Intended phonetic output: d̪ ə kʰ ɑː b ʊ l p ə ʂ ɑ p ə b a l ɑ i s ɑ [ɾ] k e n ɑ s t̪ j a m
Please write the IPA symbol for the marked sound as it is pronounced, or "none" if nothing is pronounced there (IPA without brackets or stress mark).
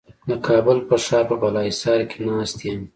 ɾ